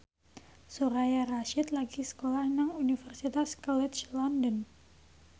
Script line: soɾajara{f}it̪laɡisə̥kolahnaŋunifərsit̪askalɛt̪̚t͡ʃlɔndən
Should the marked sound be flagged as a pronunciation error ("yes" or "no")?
yes